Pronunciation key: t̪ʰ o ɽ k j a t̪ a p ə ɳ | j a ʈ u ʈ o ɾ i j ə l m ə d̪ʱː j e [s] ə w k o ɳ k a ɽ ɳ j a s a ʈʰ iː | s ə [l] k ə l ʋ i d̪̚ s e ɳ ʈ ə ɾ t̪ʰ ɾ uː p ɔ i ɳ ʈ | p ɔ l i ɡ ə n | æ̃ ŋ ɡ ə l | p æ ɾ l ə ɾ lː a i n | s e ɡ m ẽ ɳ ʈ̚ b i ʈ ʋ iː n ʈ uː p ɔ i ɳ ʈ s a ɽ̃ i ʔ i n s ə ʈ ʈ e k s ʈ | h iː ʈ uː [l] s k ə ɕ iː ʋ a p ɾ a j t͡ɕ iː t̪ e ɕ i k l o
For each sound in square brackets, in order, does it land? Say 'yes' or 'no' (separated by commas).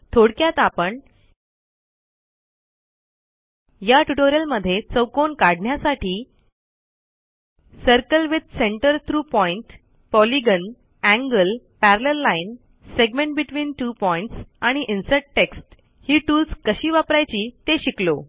no, no, yes